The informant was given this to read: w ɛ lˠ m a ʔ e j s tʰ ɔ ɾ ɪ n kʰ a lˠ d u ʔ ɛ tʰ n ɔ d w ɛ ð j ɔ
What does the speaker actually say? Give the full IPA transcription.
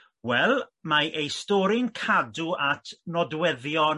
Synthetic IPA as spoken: w ɛ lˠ m a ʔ e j s t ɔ ɾ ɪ n kʰ a d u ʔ a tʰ n ɔ d w ɛ ð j ɔ